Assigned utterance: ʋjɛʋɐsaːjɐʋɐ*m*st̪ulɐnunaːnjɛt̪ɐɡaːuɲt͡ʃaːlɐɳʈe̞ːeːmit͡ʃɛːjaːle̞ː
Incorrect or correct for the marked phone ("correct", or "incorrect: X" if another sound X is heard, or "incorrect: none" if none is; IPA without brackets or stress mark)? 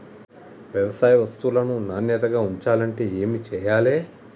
incorrect: none